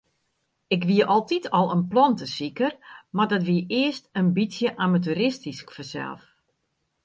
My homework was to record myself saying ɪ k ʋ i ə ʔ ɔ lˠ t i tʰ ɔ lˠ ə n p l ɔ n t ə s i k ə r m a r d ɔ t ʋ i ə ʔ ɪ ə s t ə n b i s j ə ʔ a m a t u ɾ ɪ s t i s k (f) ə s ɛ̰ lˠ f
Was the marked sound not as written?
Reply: no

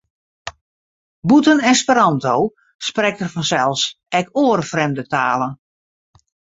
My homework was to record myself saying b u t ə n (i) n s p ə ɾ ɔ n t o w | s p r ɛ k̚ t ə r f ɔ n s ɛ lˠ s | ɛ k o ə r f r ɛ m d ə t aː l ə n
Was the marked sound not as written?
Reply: yes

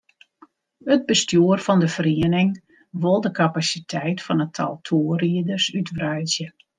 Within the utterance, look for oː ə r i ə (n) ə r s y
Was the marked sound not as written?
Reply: yes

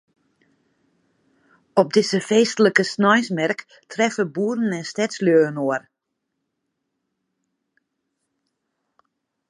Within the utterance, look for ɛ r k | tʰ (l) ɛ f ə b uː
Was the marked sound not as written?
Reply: yes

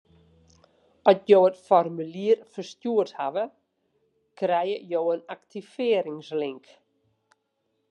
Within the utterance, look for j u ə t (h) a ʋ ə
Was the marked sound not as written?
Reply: no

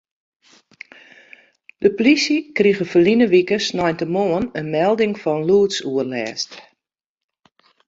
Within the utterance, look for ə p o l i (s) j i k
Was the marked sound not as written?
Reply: no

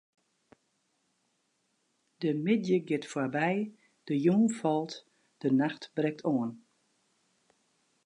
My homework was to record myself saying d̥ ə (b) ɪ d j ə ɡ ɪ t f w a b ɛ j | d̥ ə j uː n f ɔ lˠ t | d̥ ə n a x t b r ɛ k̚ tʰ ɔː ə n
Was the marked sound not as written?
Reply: yes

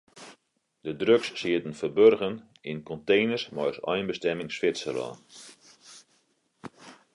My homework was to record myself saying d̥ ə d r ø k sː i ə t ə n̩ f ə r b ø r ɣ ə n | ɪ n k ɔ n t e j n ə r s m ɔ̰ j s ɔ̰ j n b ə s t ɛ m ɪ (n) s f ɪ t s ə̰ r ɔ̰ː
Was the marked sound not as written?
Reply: yes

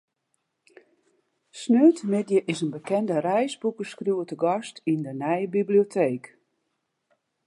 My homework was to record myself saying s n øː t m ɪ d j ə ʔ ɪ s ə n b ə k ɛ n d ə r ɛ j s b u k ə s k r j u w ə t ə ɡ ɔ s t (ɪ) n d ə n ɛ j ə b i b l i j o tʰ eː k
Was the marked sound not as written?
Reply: yes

